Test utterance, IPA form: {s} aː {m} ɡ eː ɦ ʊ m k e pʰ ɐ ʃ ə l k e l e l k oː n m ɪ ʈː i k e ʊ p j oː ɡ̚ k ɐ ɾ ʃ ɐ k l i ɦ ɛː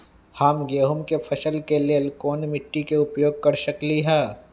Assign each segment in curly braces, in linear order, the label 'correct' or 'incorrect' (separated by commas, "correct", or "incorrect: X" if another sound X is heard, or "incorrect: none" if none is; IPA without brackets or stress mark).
incorrect: h, correct